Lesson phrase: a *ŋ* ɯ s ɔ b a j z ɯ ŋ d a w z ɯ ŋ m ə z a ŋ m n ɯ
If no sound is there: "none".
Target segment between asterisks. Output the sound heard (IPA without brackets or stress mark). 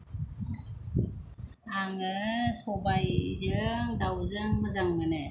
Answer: ŋ